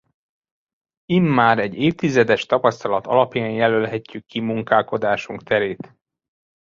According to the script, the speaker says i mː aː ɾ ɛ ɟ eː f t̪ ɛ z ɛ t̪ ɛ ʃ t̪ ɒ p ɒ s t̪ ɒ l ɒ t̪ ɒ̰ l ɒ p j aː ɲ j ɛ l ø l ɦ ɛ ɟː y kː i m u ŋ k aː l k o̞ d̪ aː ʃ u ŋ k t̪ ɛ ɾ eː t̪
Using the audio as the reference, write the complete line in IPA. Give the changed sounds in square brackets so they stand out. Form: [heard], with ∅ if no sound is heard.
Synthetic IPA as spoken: i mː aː ɾ ɛ ɟ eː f t̪ [i] z ɛ [d̪] ɛ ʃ t̪ ɒ p ɒ s t̪ ɒ l ɒ t̪ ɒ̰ l ɒ p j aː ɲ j ɛ l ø l ɦ ɛ [cː] y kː i m u ŋ k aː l k o̞ d̪ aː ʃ u ŋ k t̪ ɛ ɾ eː t̪